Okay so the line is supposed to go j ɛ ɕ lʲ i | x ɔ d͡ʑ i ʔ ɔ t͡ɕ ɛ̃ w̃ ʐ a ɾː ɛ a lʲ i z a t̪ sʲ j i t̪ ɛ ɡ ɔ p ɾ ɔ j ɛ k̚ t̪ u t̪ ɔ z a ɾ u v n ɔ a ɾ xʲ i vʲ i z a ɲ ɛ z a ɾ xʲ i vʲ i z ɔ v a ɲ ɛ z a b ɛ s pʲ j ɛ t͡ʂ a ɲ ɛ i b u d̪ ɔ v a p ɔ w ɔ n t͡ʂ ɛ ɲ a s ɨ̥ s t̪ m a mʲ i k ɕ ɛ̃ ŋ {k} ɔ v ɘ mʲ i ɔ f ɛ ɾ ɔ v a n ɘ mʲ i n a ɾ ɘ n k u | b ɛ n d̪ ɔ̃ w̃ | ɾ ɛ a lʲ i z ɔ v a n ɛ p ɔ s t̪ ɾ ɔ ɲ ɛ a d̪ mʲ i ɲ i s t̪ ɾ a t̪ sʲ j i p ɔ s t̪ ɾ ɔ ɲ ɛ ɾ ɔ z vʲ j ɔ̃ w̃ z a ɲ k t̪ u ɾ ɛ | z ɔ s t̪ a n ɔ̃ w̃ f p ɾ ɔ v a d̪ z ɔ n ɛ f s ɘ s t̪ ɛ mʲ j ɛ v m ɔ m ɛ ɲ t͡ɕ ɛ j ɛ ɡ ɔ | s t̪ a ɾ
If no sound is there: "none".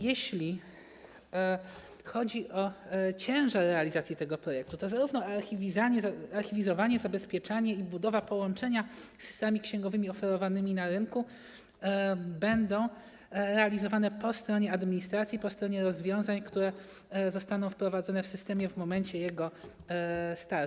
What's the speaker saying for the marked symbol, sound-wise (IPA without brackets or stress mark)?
ɡ